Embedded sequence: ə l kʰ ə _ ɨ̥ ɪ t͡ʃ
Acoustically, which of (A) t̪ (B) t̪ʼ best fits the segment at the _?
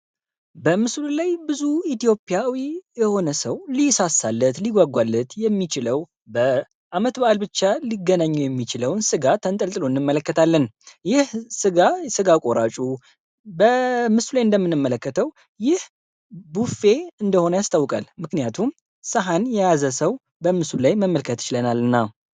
A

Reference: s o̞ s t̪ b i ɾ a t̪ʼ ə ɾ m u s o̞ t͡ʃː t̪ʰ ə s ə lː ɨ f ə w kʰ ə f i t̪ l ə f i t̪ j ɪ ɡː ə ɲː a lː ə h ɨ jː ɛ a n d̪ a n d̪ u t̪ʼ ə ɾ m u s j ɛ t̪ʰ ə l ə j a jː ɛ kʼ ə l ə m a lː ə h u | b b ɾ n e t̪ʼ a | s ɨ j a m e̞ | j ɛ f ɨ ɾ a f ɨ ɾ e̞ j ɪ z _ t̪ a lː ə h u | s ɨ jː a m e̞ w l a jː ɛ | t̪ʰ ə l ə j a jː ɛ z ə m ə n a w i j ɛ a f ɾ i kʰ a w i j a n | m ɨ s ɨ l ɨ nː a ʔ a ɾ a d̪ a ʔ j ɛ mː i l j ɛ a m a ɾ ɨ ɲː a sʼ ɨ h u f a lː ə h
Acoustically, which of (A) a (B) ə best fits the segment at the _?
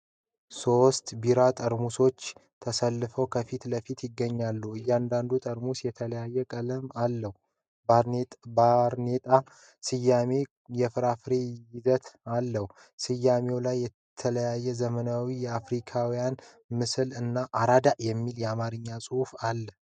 B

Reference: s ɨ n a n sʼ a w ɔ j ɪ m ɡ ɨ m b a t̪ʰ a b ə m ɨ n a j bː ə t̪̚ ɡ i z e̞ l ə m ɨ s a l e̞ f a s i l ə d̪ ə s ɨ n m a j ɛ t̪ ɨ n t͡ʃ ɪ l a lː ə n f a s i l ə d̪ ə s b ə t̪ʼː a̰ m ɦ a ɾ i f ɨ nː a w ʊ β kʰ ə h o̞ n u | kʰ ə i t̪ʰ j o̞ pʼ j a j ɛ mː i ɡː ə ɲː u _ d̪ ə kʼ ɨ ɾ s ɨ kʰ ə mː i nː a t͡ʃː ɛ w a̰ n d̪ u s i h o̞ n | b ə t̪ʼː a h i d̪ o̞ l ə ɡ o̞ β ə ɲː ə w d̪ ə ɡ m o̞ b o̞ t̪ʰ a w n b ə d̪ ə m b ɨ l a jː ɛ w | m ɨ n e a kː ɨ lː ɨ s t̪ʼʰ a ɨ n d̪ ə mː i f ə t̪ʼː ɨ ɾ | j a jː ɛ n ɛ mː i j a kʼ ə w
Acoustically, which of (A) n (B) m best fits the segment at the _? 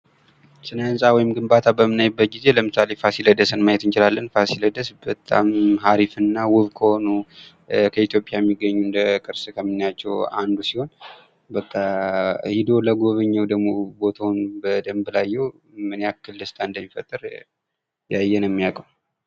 A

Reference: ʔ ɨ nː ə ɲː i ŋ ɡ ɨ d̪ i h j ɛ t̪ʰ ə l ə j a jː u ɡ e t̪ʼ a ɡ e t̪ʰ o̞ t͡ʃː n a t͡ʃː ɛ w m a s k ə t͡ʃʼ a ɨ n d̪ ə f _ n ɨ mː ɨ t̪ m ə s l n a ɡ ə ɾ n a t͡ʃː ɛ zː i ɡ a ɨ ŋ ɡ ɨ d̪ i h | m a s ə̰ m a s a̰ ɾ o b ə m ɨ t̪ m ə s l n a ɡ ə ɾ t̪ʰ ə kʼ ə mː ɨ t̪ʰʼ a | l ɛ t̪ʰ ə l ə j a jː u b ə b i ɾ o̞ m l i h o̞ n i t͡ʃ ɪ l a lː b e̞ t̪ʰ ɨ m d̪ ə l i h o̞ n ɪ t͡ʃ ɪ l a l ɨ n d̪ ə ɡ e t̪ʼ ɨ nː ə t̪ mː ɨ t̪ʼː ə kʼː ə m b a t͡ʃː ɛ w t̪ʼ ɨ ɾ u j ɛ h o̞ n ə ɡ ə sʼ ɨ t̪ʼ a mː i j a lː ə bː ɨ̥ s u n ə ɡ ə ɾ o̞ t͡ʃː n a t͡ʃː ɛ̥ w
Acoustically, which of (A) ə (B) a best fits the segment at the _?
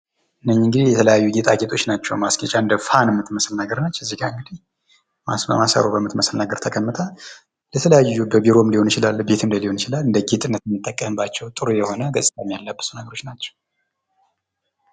B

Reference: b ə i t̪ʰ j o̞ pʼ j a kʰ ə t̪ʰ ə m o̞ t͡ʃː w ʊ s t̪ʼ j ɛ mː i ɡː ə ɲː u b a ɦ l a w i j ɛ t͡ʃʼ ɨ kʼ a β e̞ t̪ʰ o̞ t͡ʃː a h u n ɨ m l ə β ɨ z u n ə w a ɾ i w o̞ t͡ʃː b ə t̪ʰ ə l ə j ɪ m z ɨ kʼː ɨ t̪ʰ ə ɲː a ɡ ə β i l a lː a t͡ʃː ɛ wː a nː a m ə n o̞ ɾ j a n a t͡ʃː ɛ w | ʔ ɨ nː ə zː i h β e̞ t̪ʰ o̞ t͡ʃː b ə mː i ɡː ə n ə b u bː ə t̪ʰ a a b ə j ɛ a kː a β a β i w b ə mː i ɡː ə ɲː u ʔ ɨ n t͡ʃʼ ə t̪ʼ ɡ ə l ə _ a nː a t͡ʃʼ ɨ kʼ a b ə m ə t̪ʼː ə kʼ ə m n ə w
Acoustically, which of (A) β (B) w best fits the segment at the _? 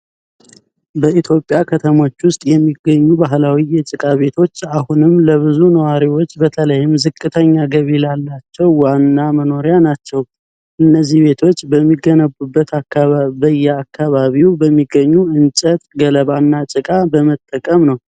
A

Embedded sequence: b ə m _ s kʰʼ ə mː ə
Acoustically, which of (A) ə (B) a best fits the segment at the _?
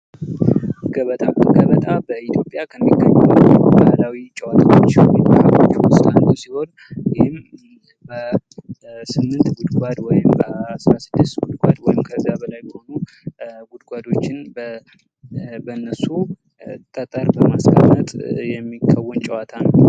B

